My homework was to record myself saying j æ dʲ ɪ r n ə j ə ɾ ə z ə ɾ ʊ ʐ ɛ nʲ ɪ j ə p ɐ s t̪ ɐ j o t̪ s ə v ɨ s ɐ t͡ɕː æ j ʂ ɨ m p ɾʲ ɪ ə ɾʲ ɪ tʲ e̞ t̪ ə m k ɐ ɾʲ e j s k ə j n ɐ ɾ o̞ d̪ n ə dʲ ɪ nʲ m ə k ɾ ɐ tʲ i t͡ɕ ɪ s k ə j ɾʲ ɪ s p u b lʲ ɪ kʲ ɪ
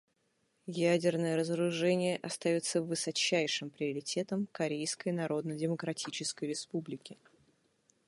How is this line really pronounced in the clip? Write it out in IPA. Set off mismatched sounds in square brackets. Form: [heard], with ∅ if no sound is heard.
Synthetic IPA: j æ dʲ ɪ r n ə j ə ɾ ə z ə ɾ ʊ ʐ ɛ nʲ ɪ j ə [ʔ] ɐ s t̪ ɐ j o t̪ s ə v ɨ s ɐ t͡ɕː æ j ʂ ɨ m p ɾʲ ɪ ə ɾʲ ɪ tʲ e̞ t̪ ə m k ɐ ɾʲ e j s k ə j n ɐ ɾ o̞ d̪ n ə dʲ ɪ [∅] m ə k ɾ ɐ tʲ i t͡ɕ ɪ s k ə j ɾʲ ɪ s p u b lʲ ɪ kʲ ɪ